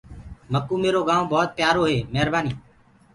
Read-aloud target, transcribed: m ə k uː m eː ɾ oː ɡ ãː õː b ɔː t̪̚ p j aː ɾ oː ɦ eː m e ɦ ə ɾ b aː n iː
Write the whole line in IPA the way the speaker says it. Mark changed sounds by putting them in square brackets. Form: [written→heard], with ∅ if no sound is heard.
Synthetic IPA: m ə k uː m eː ɾ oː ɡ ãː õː b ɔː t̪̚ p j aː ɾ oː ɦ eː m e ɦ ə ɾ b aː n iː